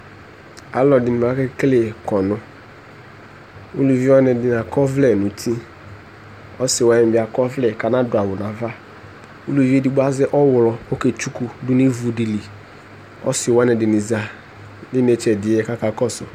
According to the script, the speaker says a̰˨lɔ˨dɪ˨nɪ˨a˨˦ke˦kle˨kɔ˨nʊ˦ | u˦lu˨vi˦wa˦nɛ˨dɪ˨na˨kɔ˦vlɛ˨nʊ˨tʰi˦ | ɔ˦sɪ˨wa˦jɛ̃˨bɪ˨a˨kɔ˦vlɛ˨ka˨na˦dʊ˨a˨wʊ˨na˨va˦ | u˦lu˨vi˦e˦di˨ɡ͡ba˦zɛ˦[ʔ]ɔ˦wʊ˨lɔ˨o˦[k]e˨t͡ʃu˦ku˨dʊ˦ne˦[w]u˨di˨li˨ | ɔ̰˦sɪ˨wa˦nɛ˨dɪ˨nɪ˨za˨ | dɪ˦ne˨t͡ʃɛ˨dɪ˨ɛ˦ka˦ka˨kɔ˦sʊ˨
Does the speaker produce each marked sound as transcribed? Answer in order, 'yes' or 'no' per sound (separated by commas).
yes, yes, no